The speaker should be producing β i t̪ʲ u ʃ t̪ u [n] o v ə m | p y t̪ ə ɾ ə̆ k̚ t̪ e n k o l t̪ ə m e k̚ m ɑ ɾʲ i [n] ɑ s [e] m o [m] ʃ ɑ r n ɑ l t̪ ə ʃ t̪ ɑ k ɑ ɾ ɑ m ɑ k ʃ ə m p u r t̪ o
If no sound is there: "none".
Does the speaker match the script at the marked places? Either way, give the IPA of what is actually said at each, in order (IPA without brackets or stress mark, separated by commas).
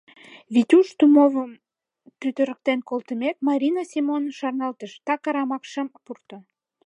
m, n, i, n